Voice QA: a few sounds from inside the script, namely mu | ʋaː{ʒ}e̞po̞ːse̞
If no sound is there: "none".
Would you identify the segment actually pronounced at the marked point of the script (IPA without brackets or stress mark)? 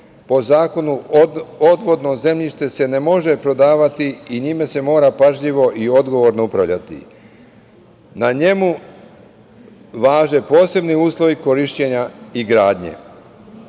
ʒ